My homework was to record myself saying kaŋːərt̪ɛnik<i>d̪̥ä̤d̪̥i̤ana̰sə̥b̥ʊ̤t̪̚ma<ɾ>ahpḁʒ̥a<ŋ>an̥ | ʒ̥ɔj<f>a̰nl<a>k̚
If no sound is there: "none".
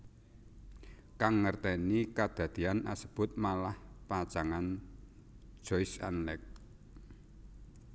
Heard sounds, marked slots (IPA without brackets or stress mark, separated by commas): a, l, ŋ, s, ɛ